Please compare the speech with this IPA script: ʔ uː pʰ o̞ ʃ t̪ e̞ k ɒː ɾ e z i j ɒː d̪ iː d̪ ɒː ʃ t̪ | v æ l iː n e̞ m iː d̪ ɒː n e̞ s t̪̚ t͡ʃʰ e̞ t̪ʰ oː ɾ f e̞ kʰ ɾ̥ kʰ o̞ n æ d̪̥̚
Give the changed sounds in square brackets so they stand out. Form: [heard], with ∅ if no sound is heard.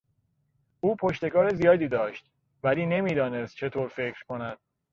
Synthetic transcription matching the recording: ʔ uː pʰ o̞ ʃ t̪ e̞ k ɒː ɾ e z i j ɒː d̪ iː d̪ ɒː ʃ t̪ | v æ l iː n e̞ m iː d̪ ɒː n e̞ s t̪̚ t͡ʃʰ e̞ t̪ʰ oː ɾ f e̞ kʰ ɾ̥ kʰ o̞ n æ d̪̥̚